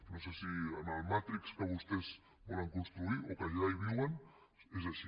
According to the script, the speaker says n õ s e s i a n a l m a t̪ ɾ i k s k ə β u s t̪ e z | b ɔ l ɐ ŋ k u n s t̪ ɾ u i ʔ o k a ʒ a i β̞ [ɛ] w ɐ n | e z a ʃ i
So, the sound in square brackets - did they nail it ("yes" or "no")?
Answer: no